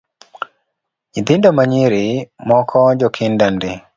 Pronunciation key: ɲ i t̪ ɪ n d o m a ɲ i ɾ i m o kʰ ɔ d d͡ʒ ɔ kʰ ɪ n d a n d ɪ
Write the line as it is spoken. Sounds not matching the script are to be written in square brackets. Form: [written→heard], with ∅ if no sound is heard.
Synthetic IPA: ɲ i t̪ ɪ n d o m a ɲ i ɾ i m [o→ɔ] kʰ ɔ [d→∅] d͡ʒ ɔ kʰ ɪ n d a n d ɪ